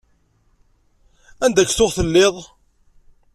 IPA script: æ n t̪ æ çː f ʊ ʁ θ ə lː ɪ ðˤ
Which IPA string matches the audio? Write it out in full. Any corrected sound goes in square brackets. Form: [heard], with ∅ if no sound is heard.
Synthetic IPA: æ n [d̪] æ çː [θ] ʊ ʁ θ ə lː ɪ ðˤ